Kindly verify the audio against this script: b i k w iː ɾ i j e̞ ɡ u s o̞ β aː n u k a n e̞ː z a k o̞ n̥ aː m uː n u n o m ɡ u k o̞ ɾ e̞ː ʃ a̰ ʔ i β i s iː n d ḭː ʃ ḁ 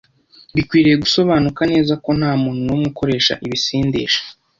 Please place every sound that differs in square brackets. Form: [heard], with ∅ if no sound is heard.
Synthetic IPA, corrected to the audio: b i k w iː ɾ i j e̞ ɡ u s o̞ β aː n u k a n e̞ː z a k o̞ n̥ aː m uː n u n o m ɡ u k o̞ ɾ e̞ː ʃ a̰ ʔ i β i s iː n d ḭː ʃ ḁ